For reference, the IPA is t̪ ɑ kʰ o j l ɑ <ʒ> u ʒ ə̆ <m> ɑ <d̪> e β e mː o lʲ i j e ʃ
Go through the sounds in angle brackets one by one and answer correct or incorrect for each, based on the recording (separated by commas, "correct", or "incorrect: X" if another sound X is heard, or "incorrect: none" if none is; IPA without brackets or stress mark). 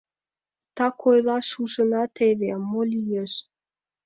incorrect: ʃ, incorrect: n, incorrect: t̪